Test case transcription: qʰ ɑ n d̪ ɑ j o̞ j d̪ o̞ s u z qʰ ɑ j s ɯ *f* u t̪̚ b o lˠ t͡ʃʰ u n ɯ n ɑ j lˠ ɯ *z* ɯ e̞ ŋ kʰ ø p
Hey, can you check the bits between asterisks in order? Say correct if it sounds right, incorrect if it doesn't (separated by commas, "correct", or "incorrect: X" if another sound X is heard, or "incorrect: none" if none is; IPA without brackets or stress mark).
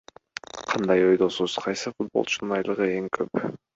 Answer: correct, incorrect: ʁ